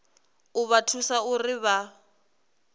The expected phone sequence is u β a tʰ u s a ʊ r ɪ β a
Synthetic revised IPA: ʊ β a tʰ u s a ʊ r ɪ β a